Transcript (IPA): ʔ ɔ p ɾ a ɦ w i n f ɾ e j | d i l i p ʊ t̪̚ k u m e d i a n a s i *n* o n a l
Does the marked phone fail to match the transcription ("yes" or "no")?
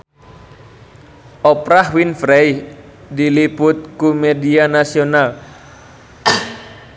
yes